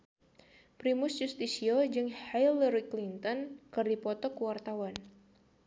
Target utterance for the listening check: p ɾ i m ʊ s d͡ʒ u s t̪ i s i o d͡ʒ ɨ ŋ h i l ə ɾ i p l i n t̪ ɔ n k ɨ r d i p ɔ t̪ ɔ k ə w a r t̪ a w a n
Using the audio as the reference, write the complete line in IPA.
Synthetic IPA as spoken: p ɾ i m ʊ s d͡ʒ u s t̪ i s i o d͡ʒ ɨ ŋ h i l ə ɾ i k l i n t̪ ɔ n k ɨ r d i p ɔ t̪ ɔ k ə w a r t̪ a w a n